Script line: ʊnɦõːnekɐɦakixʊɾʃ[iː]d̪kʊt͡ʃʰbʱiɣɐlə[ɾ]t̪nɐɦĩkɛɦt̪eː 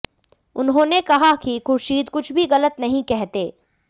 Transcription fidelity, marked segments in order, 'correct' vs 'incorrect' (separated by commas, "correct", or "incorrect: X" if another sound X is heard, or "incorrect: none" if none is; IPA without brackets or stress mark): correct, incorrect: none